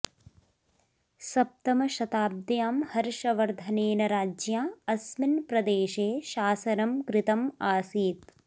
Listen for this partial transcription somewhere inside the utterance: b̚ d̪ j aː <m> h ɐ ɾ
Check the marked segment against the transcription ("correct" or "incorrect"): correct